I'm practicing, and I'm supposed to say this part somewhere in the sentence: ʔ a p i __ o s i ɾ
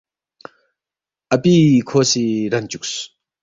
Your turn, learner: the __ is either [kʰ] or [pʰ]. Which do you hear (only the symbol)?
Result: kʰ